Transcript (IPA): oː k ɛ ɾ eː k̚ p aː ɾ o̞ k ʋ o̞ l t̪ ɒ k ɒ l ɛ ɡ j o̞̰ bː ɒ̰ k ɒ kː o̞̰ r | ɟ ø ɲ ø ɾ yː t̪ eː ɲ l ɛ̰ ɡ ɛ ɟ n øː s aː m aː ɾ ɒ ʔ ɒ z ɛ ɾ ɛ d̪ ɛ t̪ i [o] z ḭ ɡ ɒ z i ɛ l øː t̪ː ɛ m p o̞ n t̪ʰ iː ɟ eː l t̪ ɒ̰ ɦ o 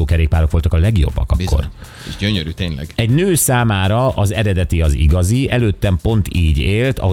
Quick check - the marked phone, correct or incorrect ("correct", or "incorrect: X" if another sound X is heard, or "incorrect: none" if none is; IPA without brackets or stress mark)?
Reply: incorrect: ɒ